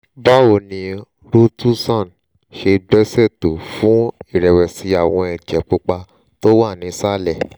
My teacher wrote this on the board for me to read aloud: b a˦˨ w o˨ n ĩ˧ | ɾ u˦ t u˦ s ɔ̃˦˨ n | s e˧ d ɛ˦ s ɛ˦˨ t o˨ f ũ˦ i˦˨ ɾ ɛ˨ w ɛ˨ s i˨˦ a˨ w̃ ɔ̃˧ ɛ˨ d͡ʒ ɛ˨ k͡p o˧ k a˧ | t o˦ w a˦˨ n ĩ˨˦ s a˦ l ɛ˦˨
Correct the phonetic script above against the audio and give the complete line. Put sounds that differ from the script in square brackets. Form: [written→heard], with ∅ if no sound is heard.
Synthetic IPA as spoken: b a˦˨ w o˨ n ĩ˧ | ɾ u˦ t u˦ s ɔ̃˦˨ n | [s→ʃ] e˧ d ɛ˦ s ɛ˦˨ t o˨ f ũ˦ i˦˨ ɾ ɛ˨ w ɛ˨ s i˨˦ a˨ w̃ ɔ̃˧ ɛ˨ d͡ʒ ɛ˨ k͡p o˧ [k→k͡p] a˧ | t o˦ w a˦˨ n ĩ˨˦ s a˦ l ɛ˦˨